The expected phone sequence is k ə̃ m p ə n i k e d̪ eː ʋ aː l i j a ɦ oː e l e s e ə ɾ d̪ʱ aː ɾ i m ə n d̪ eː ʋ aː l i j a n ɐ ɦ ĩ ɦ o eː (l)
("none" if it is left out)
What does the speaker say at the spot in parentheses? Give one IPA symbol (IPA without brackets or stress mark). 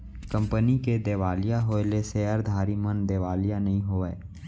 none